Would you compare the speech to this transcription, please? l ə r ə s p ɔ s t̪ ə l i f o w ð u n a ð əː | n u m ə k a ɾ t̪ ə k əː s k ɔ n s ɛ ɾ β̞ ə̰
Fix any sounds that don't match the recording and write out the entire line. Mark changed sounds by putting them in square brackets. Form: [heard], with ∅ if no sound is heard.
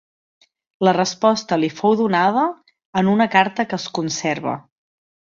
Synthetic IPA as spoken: l ə r ə s p ɔ s t̪ ə l i f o w ð u n a ð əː | n u [n] ə k a ɾ t̪ ə k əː s k [u] n s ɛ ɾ β̞ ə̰